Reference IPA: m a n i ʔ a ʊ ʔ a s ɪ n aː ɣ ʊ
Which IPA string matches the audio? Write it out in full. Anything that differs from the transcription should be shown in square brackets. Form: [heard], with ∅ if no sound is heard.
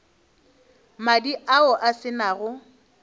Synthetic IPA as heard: m a [d] i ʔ a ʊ ʔ a s ɪ n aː ɣ ʊ